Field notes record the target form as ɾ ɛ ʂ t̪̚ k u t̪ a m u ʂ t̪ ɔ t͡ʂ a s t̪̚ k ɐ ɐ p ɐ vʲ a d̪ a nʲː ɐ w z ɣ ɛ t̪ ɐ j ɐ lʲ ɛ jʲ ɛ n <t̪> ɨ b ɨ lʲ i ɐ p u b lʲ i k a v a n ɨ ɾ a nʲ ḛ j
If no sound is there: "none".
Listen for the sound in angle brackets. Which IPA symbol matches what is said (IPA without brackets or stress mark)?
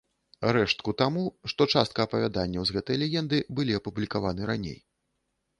d̪